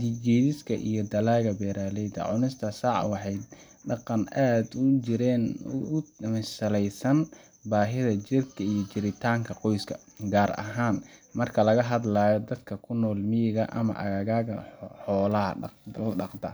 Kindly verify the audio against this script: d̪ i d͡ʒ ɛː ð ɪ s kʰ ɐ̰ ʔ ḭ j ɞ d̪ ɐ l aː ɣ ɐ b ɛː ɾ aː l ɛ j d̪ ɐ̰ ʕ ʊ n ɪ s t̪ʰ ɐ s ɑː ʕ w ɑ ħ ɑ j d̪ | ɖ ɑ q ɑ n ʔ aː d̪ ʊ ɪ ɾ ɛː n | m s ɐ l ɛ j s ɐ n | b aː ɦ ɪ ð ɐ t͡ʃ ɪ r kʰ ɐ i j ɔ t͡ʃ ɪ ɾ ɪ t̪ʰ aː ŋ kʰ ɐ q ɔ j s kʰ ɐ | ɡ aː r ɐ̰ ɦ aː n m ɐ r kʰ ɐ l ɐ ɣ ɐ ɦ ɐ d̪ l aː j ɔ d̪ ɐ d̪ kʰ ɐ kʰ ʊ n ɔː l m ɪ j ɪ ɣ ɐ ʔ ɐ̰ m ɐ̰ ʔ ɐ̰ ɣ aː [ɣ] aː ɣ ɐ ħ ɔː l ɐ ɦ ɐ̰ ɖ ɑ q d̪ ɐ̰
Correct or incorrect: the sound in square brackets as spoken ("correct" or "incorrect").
correct